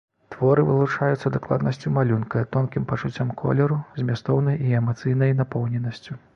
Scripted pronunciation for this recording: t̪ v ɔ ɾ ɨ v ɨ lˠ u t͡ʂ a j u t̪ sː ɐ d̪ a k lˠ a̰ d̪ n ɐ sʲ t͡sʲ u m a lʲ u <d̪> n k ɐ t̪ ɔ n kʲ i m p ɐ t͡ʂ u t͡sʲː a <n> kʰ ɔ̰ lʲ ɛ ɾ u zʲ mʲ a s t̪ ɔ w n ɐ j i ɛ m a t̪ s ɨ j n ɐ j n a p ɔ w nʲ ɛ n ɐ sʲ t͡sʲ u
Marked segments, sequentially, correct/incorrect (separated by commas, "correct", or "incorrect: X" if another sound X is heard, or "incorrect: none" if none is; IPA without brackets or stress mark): incorrect: none, incorrect: m